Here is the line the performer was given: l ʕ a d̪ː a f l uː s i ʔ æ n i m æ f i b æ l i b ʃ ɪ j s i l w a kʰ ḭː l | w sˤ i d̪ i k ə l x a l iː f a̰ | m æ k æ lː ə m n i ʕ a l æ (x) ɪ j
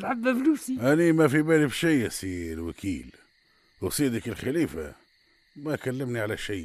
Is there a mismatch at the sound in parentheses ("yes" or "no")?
yes